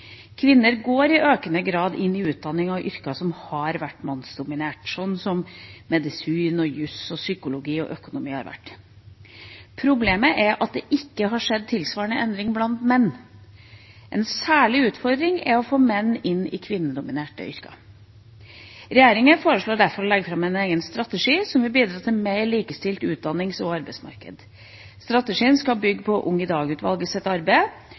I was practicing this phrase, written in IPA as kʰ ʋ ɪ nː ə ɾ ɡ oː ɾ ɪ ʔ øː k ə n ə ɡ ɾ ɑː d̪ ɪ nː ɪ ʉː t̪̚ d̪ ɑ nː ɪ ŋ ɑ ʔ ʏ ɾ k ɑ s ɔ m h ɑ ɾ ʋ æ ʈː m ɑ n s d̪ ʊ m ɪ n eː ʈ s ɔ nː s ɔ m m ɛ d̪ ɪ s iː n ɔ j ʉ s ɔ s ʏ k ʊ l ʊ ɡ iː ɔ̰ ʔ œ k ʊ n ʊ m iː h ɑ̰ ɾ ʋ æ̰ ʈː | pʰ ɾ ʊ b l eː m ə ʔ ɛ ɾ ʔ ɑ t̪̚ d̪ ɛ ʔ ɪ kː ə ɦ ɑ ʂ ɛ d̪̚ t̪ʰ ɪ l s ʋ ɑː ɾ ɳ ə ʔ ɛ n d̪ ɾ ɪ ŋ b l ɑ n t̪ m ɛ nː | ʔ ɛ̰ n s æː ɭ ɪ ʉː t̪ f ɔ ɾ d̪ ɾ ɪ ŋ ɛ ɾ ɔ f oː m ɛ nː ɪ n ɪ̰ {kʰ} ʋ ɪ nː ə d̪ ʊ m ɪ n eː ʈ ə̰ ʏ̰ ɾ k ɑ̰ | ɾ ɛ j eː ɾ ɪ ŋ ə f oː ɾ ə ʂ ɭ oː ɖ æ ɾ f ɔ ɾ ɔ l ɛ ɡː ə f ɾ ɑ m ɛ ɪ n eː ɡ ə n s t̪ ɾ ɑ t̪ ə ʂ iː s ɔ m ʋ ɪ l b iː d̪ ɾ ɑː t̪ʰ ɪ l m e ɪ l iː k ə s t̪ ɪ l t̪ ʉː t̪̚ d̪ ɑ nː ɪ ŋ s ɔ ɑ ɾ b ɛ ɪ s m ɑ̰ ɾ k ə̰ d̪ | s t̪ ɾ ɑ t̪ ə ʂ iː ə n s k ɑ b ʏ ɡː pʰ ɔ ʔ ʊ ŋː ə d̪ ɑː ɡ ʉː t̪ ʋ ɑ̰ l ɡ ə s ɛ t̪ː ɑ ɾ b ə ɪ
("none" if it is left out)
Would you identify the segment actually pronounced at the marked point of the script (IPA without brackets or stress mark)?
kʰ